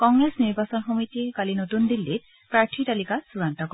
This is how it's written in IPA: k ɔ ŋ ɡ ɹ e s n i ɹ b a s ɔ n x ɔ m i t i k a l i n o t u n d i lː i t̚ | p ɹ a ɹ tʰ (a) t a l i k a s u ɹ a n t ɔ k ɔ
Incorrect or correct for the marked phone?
incorrect: i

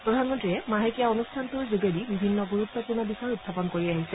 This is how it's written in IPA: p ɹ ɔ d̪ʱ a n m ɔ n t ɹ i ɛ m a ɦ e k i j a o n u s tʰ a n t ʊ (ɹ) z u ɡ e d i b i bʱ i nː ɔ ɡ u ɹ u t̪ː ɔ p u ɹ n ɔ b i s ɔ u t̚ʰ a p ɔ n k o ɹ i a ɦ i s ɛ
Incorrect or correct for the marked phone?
correct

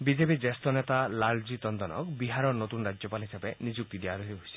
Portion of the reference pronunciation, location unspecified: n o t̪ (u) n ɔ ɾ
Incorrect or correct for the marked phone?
correct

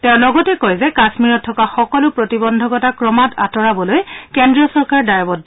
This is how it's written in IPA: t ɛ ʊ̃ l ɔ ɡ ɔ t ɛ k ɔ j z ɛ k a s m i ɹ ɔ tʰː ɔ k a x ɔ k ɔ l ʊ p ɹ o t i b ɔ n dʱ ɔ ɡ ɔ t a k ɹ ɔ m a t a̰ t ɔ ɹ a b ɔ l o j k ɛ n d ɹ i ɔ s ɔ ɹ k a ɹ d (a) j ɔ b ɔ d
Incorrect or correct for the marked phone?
correct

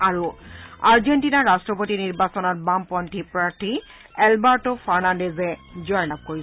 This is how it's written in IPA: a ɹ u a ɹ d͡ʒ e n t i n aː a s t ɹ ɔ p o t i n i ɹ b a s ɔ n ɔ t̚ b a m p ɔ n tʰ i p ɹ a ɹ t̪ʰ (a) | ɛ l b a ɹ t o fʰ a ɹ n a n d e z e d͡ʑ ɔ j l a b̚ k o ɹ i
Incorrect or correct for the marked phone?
incorrect: i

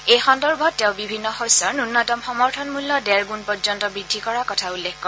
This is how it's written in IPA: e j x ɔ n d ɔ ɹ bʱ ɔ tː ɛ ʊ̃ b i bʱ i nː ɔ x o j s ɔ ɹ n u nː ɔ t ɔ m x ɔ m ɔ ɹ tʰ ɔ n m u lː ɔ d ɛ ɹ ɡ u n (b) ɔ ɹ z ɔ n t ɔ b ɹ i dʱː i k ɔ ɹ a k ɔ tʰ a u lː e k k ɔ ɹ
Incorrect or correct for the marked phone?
incorrect: p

